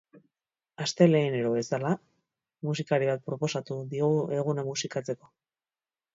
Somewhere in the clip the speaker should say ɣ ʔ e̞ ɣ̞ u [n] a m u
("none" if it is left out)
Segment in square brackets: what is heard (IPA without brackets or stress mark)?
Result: n